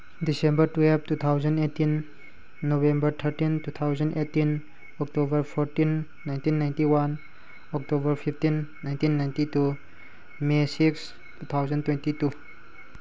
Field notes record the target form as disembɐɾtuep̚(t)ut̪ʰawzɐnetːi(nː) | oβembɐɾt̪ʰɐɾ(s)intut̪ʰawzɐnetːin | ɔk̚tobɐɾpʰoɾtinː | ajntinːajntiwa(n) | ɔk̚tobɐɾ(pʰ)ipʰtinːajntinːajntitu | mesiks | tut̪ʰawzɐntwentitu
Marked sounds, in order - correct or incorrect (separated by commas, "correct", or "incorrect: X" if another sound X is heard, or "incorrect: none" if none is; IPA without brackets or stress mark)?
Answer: correct, correct, incorrect: t, correct, correct